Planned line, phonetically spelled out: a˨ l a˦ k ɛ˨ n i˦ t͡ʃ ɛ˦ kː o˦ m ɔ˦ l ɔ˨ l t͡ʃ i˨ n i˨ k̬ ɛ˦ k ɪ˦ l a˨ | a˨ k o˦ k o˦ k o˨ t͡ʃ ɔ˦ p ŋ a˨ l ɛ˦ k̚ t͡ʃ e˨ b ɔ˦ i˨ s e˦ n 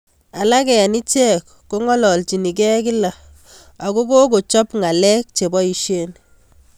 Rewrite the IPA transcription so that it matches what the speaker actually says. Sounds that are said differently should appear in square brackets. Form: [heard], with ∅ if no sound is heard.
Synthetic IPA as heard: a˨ l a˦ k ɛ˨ n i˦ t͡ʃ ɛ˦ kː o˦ [ŋ] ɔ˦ l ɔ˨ l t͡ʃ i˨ n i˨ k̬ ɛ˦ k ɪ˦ l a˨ | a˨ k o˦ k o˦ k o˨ t͡ʃ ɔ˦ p ŋ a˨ l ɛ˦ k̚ t͡ʃ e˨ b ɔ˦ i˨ [ʃ] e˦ n